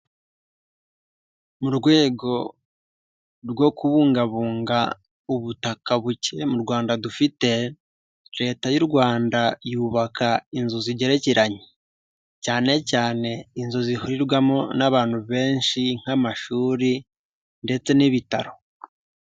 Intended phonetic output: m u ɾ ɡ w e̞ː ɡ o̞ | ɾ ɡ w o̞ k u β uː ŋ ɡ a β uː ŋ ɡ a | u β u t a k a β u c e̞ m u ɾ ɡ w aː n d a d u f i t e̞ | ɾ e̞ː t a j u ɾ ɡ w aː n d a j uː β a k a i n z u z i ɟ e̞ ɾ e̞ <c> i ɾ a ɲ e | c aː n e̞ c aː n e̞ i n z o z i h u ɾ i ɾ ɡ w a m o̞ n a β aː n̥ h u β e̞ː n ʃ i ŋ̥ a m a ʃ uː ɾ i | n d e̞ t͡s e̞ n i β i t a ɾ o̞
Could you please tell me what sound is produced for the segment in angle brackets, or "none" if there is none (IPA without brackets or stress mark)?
c